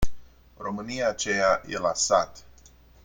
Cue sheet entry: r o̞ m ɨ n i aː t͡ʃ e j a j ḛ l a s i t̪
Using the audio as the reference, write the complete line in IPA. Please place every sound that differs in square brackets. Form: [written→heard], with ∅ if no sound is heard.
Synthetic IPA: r o̞ m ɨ n i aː t͡ʃ e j a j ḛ l a s [i→a] t̪